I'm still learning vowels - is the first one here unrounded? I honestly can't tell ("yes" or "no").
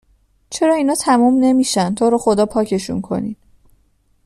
yes